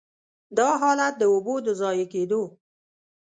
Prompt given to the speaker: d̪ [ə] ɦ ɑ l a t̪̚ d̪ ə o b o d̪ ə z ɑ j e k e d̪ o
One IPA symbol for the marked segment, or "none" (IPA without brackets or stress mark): ɑ